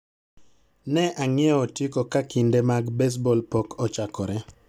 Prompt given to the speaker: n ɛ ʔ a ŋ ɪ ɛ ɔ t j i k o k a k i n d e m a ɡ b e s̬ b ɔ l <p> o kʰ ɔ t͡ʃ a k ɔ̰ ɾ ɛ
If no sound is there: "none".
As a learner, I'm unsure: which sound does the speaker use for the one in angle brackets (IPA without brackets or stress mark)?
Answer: p